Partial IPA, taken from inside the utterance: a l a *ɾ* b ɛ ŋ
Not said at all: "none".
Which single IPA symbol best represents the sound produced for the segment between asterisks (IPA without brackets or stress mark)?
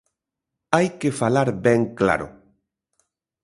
ɾ